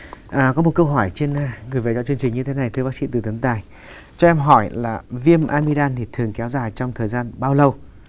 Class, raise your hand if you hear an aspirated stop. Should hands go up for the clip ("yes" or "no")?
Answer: yes